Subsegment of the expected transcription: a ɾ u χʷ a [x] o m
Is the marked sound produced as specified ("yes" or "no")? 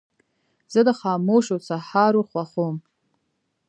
no